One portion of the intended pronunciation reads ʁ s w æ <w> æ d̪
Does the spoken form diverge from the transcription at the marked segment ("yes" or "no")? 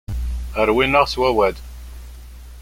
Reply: no